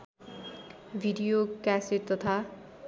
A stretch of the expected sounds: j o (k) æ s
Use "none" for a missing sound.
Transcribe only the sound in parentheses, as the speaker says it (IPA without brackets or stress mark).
k